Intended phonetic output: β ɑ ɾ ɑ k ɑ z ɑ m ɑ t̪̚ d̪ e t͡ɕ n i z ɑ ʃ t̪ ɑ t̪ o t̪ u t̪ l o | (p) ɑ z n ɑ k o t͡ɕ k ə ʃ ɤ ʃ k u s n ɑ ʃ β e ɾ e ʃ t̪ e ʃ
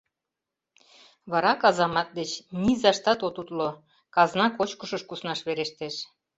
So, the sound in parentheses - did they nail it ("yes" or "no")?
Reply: no